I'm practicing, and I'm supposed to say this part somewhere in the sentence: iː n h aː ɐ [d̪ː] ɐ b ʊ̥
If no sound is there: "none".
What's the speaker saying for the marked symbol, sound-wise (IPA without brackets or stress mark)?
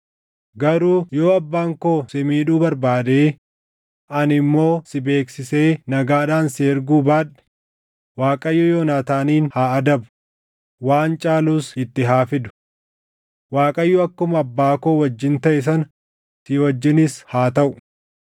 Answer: d̪